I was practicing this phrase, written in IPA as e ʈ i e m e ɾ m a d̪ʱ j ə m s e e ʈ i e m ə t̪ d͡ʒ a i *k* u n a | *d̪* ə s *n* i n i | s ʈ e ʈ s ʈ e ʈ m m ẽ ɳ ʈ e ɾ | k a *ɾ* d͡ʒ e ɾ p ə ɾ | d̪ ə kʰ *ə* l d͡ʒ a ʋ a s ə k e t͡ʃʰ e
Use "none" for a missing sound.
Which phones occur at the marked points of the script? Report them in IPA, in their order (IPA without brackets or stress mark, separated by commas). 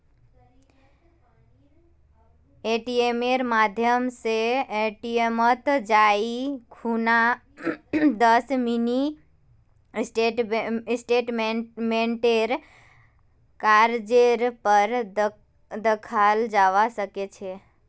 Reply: kʰ, d̪, m, ɾ, a